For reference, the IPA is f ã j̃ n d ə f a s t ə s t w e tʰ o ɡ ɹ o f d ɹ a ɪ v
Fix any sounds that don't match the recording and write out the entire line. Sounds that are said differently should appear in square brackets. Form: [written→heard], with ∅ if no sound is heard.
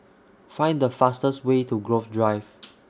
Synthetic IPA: f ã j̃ n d ə f a s t ə s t w e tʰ [o→u] ɡ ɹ o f d ɹ a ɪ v